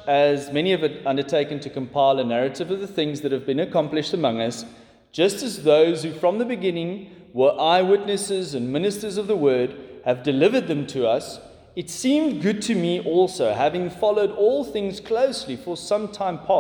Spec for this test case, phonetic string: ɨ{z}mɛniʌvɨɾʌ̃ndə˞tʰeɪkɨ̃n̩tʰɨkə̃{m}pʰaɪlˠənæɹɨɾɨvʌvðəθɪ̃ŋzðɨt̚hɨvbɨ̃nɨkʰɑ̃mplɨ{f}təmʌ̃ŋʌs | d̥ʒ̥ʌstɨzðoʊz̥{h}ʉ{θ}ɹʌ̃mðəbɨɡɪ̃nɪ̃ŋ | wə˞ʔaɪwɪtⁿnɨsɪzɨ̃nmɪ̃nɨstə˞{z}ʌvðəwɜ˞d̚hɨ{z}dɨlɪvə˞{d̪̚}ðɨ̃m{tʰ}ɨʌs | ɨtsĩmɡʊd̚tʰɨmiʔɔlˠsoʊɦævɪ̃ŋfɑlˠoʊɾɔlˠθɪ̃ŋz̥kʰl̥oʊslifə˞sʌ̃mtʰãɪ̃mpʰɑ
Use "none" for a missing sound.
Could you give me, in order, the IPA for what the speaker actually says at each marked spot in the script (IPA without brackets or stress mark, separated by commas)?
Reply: z, m, ʃ, h, f, z, v, d̪̚, tʰ